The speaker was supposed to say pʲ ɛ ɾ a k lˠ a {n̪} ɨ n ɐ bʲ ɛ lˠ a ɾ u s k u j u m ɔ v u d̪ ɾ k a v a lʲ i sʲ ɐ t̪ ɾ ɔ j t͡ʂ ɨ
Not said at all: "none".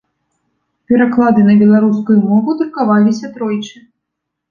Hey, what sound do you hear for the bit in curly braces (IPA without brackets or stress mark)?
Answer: d̪